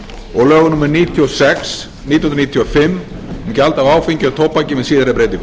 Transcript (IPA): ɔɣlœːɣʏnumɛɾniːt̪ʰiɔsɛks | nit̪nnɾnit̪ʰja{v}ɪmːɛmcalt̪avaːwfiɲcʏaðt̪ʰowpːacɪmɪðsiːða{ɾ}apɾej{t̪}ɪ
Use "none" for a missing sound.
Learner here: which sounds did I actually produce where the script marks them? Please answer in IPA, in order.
f, ɾ, t̪

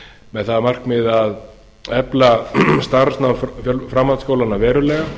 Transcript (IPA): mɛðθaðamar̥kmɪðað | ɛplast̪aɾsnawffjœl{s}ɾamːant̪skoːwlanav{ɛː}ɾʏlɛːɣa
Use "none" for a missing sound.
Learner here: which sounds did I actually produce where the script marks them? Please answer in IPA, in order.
f, ɛː

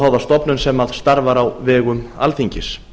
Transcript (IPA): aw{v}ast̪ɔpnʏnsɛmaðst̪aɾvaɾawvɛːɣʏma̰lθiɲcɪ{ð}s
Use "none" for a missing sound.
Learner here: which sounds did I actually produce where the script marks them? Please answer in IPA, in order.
ð, none

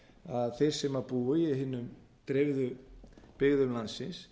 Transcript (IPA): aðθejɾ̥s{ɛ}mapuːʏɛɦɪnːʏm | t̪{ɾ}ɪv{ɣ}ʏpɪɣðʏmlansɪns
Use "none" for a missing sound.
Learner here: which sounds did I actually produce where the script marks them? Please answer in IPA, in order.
ɛ, ɾ, ð

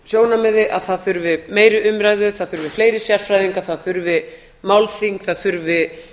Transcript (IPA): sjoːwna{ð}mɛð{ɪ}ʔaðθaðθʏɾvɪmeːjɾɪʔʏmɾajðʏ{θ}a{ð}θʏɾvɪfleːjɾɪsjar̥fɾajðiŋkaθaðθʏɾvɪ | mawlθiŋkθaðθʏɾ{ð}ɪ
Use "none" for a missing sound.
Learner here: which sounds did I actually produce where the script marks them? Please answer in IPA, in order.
none, ɪ, θ, ð, v

